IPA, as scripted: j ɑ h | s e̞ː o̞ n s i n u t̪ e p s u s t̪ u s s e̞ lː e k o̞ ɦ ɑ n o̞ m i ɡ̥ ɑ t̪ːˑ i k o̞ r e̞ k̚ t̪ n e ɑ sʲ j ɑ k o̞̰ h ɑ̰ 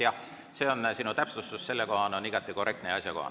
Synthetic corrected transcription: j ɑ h | s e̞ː o̞ n s i n u t̪ æ p s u s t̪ u s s e̞ lː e k o̞ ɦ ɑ n o̞ n i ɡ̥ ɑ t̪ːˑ i k o̞ r e̞ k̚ t̪ n e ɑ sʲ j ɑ k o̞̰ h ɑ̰